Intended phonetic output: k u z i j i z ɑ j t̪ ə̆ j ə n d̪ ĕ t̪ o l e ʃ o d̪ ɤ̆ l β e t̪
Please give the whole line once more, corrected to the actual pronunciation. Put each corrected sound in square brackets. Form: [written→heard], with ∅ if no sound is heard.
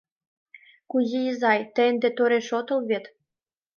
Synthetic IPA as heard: k u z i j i z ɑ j t̪ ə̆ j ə n d̪ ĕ t̪ o [l→ɾ] e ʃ o [d̪→t̪] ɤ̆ l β e t̪